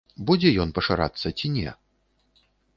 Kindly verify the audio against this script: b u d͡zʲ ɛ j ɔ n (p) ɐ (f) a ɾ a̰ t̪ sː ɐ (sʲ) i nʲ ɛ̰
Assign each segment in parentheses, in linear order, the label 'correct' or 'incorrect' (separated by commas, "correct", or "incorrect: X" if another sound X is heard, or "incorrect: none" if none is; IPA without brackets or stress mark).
correct, incorrect: ʂ, incorrect: t͡sʲ